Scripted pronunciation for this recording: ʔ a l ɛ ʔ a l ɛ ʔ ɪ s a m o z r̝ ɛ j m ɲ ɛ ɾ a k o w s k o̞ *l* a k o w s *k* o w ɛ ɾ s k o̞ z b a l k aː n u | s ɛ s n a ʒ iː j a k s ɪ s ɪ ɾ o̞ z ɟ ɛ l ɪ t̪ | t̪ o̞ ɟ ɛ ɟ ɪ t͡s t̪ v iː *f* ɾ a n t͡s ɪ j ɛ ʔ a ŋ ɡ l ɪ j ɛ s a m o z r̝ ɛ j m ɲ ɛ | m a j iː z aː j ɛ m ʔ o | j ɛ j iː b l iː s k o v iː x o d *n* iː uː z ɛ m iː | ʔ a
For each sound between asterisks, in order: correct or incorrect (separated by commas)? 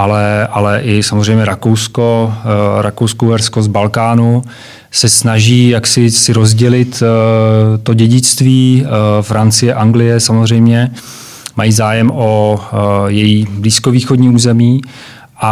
incorrect, correct, correct, incorrect